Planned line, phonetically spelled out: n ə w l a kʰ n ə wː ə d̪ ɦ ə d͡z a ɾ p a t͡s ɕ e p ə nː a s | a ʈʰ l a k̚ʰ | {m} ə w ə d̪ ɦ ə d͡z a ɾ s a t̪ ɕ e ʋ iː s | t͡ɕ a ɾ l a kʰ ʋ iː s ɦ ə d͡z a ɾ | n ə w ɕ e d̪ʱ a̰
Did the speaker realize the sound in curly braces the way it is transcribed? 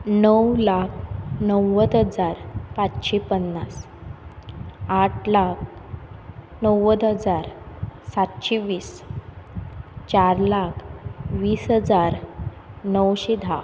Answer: no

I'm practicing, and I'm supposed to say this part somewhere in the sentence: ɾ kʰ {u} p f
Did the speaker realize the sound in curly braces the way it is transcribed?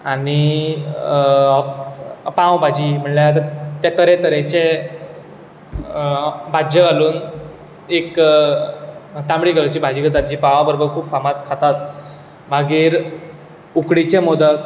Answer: no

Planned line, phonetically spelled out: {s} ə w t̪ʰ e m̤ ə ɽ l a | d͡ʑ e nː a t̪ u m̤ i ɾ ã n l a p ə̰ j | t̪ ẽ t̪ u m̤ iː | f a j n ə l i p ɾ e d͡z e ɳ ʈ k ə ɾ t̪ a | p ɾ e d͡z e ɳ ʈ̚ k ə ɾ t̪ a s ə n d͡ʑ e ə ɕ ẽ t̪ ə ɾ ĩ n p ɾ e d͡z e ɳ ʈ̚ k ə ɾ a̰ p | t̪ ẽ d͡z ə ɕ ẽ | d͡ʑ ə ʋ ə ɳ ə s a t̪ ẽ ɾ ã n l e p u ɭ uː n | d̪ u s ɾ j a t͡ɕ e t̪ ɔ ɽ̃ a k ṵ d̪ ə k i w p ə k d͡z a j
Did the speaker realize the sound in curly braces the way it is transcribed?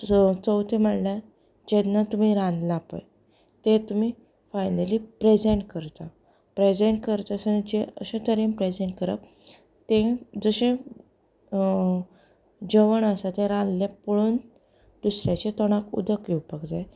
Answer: no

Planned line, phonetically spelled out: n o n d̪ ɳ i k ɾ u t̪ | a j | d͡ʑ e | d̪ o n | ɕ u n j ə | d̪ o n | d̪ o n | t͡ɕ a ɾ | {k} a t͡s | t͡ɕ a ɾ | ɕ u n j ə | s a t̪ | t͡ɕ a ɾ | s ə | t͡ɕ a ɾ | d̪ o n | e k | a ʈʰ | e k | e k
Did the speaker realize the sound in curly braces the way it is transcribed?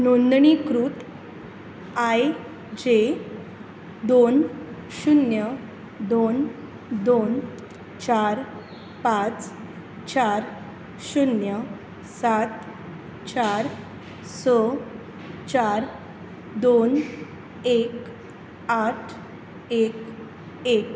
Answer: no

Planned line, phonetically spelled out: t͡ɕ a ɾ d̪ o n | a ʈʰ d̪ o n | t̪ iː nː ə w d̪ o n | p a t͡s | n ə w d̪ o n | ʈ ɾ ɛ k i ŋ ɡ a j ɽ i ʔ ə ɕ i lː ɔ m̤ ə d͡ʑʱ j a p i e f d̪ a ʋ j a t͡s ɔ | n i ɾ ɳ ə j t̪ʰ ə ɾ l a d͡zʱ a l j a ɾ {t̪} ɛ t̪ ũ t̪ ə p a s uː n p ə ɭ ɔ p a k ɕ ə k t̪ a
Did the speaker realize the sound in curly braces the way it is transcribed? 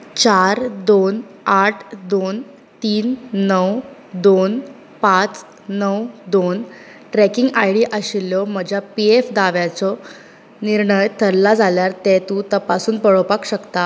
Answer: yes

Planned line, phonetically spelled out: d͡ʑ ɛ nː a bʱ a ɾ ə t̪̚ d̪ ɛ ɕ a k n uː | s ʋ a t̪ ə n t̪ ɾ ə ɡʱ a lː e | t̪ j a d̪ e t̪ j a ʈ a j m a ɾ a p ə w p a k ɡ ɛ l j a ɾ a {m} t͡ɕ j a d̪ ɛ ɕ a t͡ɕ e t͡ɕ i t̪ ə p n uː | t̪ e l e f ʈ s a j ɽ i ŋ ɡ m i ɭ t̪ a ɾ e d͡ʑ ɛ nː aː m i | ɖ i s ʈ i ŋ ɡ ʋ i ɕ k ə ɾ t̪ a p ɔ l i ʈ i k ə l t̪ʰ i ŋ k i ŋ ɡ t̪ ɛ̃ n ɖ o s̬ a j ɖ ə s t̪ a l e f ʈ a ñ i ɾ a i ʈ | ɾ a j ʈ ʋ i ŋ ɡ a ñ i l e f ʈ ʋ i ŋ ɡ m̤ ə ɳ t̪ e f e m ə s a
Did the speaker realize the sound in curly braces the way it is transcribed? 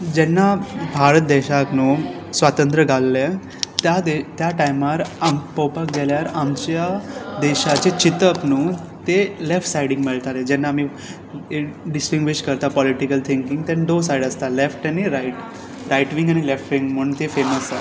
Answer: yes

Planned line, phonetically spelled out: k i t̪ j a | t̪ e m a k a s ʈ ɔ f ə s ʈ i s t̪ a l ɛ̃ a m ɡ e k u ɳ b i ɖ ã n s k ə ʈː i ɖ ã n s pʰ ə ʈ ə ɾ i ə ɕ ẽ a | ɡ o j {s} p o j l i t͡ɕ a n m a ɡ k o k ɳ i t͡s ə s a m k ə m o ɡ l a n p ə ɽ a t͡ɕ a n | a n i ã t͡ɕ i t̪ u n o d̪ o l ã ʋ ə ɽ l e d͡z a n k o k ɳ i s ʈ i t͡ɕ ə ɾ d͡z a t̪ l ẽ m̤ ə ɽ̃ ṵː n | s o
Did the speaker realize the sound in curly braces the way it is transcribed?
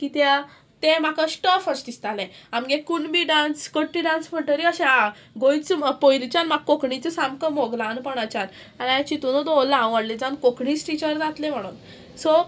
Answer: no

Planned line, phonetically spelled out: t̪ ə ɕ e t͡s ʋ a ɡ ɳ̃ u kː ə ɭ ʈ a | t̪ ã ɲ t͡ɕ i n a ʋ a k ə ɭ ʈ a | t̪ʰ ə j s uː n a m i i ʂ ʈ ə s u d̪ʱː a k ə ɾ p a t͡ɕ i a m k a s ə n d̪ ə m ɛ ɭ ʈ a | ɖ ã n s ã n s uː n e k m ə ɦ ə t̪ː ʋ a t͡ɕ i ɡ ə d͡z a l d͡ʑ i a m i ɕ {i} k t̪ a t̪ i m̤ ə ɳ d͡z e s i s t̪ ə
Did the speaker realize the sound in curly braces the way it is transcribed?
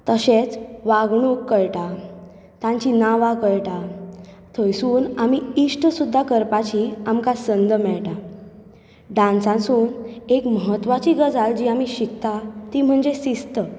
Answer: yes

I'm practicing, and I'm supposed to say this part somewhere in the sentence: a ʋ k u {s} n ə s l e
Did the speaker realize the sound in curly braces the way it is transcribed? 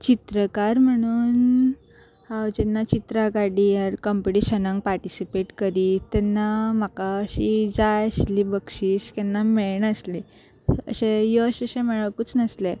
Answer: no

